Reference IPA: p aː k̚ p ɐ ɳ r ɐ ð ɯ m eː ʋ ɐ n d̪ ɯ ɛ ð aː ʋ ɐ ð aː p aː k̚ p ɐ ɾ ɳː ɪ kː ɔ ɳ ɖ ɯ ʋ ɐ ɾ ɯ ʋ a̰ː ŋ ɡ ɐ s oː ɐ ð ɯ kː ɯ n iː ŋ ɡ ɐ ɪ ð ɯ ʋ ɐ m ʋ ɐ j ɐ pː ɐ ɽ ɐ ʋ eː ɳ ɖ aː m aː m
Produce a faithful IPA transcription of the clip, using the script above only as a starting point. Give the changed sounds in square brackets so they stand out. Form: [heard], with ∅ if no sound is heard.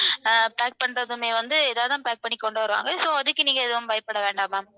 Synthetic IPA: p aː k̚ p ɐ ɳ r ɐ ð ɯ m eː ʋ ɐ n d̪ ɯ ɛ ð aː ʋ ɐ ð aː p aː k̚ p ɐ [∅] ɳː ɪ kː ɔ ɳ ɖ ɯ ʋ ɐ ɾ ɯ ʋ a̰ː ŋ ɡ ɐ s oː ɐ ð ɯ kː ɯ n iː ŋ ɡ ɐ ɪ ð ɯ ʋ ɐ m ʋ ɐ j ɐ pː ɐ ɽ ɐ ʋ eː ɳ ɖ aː m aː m